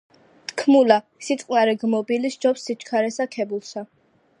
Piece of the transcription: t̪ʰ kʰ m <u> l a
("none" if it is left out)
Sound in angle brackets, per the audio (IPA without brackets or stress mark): u